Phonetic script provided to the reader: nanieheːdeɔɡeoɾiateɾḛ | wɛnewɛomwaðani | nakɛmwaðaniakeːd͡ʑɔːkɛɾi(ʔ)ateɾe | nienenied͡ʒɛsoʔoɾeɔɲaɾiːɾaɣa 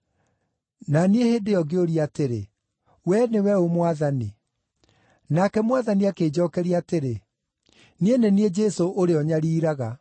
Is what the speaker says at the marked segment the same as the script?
no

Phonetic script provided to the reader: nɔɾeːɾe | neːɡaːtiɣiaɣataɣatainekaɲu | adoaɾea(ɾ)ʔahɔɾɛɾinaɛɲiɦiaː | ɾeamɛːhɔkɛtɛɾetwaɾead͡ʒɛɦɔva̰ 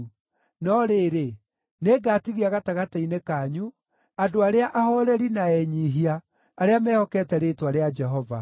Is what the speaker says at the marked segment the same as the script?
no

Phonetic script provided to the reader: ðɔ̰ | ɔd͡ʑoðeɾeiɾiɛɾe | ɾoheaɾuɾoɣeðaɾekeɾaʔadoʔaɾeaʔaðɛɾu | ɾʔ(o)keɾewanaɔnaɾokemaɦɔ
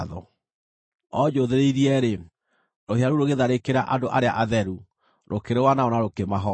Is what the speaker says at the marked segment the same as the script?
yes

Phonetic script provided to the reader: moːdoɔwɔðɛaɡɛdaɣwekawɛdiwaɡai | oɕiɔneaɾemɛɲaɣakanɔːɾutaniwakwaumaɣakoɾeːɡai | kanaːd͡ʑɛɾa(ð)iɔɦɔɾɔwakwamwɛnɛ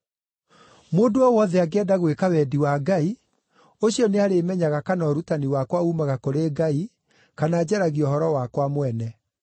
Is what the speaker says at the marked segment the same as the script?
no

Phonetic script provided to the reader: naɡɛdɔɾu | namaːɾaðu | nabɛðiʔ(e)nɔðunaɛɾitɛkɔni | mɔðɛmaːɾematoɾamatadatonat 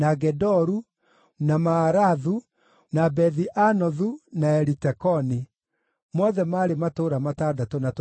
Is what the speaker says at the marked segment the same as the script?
no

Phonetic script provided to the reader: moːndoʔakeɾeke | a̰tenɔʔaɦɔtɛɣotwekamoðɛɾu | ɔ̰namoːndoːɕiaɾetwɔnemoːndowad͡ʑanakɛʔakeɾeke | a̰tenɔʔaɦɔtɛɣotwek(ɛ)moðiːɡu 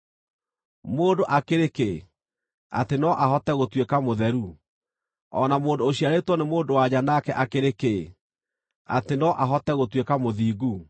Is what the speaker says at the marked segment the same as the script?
no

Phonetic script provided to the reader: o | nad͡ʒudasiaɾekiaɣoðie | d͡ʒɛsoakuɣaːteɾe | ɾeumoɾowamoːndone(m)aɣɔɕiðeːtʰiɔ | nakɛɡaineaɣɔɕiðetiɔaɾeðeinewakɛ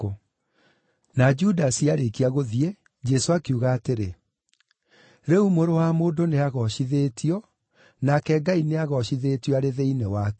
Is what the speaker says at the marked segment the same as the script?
no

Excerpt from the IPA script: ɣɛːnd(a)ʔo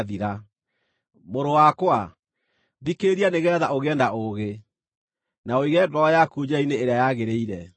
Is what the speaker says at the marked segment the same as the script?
yes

